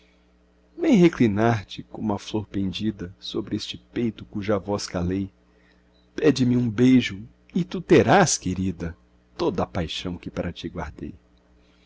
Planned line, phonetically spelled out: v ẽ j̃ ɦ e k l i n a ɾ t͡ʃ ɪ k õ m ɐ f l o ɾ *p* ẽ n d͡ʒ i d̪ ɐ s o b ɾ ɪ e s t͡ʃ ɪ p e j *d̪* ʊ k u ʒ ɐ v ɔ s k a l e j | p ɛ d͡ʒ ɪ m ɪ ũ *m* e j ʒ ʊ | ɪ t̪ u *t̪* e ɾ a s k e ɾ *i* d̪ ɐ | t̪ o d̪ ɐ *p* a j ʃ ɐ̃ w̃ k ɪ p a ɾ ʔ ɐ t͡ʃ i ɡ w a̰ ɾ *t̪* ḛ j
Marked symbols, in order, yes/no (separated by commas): yes, no, no, yes, yes, yes, no